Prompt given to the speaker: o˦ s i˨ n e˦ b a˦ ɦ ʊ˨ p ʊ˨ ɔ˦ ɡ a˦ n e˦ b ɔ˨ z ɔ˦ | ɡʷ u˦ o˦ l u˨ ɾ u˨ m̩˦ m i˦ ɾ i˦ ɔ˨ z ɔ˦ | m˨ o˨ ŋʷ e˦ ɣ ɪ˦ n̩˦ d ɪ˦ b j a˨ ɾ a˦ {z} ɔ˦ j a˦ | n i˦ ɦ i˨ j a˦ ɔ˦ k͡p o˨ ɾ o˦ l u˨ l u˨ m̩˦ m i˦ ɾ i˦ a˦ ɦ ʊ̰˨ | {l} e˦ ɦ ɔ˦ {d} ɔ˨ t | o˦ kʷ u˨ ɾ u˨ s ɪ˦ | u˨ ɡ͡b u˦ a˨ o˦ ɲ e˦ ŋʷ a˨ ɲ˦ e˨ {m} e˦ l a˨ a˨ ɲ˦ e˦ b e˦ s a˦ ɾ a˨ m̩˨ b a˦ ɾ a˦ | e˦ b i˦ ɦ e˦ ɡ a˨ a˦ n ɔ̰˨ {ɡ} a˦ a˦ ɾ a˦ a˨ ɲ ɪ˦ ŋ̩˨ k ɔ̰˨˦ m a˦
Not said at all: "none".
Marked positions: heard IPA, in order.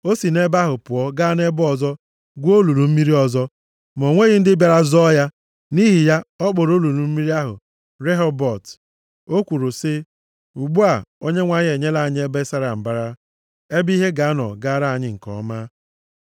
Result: z, ɾ, b, ɲ, ɡ

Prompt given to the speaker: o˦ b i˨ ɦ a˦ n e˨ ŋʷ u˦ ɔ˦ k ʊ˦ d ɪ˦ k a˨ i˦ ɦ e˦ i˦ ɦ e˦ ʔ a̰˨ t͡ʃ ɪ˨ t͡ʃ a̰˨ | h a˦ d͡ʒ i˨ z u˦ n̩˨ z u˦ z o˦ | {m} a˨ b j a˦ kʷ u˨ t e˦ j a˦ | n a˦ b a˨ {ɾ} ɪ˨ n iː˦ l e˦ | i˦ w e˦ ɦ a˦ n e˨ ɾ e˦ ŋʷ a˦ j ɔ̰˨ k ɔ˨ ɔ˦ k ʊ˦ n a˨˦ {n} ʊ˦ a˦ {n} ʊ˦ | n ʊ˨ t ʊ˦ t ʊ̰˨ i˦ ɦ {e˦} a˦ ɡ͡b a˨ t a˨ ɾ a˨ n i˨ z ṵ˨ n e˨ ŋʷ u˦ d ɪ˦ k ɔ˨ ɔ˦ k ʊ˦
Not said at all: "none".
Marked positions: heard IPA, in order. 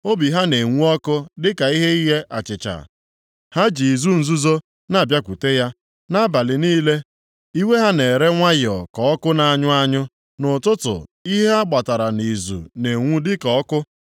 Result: n, l, ɲ, ɲ, e˦

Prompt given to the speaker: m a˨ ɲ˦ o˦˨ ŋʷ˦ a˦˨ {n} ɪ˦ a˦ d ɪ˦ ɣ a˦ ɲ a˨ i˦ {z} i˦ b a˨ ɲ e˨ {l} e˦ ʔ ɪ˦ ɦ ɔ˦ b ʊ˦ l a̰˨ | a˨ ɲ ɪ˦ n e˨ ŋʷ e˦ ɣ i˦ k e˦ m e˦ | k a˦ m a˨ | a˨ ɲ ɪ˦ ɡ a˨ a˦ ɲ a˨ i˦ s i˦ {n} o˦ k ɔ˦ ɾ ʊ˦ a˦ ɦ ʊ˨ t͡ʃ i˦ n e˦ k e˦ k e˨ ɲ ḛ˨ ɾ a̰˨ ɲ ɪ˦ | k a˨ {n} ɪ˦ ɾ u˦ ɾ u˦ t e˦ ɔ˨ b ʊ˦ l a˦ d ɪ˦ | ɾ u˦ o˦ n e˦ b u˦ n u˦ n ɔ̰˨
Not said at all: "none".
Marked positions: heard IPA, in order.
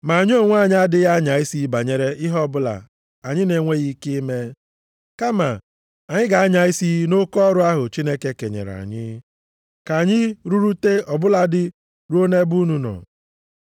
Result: ɲ, s, ɾ, n, ɲ

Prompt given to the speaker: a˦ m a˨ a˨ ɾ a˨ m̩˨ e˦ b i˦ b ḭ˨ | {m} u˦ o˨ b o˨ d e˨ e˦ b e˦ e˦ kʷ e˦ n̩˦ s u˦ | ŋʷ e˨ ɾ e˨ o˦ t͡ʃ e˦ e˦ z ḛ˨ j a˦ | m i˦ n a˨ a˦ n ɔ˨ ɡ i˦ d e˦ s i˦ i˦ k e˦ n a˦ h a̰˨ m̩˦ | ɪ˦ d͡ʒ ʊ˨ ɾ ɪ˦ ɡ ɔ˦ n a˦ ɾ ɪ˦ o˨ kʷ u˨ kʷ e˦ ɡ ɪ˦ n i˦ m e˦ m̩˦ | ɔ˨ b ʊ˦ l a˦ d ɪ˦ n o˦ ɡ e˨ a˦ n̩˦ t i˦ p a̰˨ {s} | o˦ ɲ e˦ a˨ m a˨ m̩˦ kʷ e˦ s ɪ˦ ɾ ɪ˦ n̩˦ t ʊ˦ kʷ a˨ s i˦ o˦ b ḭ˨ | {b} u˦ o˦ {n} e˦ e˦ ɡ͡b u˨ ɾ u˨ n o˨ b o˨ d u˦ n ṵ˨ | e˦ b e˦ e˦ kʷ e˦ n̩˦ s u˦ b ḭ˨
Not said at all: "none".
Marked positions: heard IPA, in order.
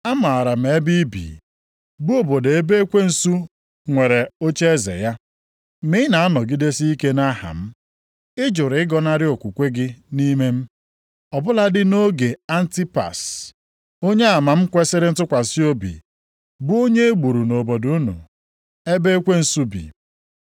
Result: b, s, b, ɲ

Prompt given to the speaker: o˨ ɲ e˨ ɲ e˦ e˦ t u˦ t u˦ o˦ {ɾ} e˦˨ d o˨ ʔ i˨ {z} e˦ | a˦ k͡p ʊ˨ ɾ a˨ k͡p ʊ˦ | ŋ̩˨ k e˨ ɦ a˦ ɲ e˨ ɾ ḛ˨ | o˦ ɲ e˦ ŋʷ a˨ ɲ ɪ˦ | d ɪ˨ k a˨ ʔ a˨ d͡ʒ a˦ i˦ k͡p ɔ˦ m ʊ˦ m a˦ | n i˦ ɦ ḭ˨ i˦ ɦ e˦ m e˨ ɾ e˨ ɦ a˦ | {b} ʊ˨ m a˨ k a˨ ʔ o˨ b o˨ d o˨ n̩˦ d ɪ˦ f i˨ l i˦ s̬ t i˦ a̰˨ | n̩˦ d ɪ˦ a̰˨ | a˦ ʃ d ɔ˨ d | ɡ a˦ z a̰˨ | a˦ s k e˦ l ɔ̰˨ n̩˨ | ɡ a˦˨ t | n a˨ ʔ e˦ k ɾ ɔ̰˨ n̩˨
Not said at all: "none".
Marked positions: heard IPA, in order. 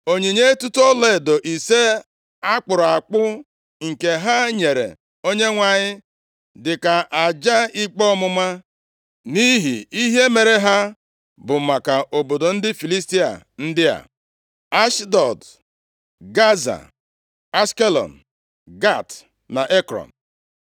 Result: l, s, b

